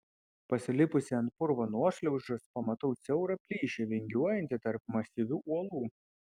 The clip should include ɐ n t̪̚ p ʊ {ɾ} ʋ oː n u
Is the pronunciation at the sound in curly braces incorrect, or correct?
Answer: correct